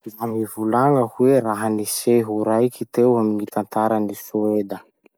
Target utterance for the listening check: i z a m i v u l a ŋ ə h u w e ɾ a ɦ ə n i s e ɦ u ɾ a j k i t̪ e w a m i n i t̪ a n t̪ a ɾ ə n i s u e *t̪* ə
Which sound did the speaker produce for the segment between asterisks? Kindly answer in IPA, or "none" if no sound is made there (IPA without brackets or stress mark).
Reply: d̪